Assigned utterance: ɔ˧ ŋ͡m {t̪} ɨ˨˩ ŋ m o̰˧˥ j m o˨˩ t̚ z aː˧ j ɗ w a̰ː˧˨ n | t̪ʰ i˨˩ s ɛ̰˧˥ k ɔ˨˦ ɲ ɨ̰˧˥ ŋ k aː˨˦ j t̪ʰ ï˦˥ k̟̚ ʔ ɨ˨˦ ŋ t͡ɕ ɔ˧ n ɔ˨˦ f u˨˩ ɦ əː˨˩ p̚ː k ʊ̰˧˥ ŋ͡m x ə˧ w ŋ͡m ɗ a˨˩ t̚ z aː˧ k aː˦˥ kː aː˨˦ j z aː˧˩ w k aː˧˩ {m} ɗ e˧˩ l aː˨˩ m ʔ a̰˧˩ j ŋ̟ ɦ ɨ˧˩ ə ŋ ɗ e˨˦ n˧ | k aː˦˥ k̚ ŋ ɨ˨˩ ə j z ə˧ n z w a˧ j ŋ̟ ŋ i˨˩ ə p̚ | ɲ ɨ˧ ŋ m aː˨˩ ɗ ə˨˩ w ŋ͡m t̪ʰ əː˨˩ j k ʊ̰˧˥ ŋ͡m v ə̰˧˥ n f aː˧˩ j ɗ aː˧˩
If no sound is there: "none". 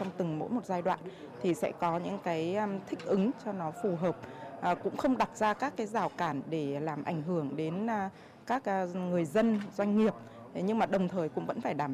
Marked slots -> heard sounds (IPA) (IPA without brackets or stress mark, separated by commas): t̪, n